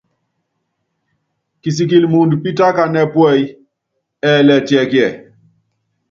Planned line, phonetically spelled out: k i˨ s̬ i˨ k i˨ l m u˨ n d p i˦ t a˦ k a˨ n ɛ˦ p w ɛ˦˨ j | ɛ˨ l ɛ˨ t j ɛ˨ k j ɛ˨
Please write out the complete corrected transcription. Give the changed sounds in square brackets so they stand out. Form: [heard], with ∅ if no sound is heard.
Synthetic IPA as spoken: k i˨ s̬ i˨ k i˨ l m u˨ n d p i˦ t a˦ k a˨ n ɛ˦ p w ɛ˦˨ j | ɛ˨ l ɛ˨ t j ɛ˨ k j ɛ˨